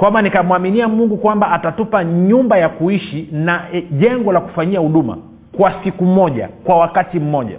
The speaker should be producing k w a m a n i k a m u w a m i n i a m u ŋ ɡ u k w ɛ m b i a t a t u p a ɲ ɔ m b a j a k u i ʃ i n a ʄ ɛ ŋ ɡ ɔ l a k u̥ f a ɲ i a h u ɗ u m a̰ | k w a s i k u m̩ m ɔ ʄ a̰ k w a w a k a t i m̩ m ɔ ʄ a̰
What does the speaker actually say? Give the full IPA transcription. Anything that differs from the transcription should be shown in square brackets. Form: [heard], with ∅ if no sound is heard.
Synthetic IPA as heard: k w a m a n i k a m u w a m i n i a m u ŋ ɡ u k w [a] m b [a] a t a t u p a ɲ [u] m b a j a k u i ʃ i n a ʄ ɛ ŋ ɡ ɔ l a k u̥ f a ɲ i a h u ɗ u m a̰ | k w a s i k u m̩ m ɔ ʄ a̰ k w a w a k a t i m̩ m ɔ ʄ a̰